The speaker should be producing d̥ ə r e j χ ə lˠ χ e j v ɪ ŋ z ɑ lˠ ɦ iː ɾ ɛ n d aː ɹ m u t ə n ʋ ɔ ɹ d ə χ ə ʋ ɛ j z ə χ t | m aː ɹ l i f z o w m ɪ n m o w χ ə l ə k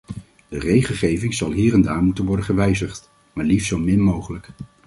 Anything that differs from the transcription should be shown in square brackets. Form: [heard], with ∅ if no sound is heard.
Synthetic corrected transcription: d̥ ə r e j χ ə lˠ χ e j v ɪ ŋ z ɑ lˠ ɦ iː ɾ ɛ n d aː ɹ m u t ə n ʋ ɔ ɹ d ə χ ə ʋ ɛ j z ə χ t | m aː ɹ l i f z o w m ɪ n m o w χ ə l ə k

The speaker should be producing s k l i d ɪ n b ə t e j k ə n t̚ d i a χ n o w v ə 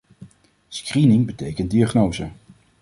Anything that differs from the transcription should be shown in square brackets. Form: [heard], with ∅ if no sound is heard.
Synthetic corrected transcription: s k [r] i [n] ɪ [ŋ] b ə t e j k ə n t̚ d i a χ n o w [z] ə

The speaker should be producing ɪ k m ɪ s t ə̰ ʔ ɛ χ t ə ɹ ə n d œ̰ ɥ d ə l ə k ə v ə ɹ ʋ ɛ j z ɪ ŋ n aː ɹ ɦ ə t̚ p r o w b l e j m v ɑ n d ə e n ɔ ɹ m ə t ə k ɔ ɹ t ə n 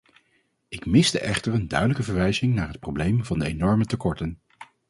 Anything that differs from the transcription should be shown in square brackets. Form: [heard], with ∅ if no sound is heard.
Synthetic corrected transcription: ɪ k m ɪ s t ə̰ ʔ ɛ χ t ə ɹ ə n d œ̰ ɥ d ə l ə k ə v ə ɹ ʋ ɛ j z ɪ ŋ n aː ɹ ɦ ə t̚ p r o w b l e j m v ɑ n d ə e n ɔ ɹ m ə t ə k ɔ ɹ t ə n

